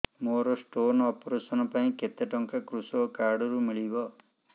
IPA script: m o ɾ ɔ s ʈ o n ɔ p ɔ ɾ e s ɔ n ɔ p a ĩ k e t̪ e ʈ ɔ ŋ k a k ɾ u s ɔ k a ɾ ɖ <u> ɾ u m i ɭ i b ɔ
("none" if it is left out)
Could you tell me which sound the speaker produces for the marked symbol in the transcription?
ɔ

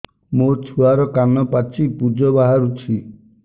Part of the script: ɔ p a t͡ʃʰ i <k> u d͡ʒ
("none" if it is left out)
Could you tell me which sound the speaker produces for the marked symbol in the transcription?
p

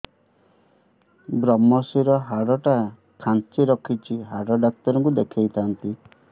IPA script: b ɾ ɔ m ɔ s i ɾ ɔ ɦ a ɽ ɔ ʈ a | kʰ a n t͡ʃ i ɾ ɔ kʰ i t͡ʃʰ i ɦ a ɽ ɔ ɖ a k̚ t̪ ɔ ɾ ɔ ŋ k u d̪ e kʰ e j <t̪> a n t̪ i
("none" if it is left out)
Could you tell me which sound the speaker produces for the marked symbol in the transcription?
t̪ʰ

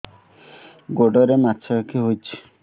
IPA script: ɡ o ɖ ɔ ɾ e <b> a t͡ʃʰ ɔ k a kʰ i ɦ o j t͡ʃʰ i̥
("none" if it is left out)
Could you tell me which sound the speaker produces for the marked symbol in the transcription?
m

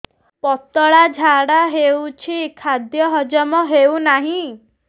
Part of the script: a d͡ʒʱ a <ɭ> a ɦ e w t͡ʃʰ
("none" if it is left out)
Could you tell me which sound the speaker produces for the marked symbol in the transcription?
ɽ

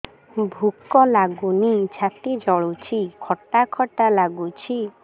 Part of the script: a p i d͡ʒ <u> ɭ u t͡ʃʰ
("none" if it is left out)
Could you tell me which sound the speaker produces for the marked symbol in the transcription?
ɔ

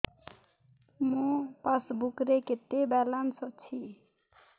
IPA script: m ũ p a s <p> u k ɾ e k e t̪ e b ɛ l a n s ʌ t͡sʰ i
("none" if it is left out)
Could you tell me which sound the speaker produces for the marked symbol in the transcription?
b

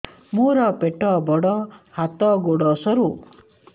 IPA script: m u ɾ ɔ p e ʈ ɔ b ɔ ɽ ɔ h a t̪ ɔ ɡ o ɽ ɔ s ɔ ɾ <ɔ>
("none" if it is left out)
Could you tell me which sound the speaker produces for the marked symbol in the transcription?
u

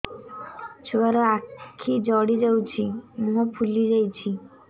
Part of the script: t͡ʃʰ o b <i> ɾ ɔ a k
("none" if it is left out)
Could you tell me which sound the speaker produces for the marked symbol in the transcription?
a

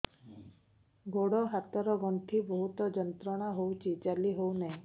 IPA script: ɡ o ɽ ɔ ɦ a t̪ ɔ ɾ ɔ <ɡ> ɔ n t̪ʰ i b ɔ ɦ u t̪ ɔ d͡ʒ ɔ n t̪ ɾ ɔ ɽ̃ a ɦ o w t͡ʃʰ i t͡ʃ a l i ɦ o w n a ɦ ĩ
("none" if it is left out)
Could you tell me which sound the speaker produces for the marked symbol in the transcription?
ɡ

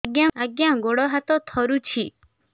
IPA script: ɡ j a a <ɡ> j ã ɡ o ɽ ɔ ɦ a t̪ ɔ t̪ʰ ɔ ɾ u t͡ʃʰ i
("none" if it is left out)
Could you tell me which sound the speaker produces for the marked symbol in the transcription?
ɡ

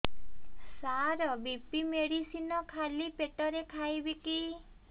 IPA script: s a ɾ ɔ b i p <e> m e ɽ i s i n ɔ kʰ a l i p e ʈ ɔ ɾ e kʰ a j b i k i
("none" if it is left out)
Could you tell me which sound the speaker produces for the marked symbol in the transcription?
i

